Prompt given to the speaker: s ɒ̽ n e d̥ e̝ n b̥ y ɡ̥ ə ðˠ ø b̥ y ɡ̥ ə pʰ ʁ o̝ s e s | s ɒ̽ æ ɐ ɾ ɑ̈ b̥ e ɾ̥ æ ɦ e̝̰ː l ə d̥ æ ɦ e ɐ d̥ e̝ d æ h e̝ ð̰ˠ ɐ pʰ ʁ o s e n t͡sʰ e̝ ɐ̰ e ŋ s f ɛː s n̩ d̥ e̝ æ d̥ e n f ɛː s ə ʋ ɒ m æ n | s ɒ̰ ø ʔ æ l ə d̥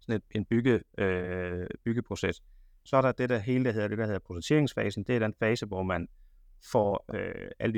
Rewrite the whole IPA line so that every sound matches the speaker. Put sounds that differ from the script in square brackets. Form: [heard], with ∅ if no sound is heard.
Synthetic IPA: s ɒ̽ n e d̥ e̝ n b̥ y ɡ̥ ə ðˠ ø b̥ y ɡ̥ ə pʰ ʁ o̝ s e s | s ɒ̽ æ ɐ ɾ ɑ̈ [d̥] e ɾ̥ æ ɦ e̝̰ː l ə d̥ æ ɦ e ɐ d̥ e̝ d æ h e̝ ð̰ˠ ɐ pʰ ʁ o s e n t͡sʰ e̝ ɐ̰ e ŋ s f ɛː s n̩ d̥ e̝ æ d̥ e n f ɛː s ə ʋ ɒ m æ n | [f] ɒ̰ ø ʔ æ l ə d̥